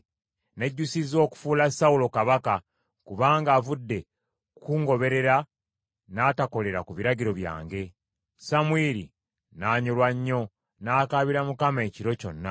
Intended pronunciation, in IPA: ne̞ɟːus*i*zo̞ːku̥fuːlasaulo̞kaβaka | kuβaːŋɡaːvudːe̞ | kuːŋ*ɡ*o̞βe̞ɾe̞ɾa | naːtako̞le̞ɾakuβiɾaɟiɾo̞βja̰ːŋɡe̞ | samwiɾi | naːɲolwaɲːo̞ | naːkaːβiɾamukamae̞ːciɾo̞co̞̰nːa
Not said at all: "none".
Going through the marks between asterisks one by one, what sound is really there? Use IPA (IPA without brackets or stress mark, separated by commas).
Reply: i, ɡ